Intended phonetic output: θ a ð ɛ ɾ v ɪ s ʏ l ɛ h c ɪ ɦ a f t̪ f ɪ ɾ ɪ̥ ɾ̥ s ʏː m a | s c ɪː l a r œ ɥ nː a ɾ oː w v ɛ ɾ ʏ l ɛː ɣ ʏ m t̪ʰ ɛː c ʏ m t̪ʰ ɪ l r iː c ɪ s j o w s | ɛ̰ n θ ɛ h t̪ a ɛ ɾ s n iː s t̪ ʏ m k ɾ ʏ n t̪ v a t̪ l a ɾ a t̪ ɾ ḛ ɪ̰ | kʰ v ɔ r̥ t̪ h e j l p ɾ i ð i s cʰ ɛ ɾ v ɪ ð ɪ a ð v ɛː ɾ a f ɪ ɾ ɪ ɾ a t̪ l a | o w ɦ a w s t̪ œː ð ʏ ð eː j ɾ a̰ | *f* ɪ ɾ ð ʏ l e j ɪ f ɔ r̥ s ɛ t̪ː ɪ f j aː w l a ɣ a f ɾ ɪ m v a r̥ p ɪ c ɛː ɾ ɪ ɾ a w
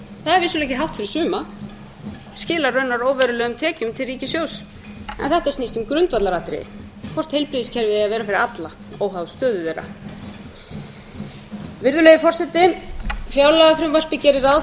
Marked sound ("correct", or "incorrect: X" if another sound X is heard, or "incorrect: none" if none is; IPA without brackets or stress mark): incorrect: v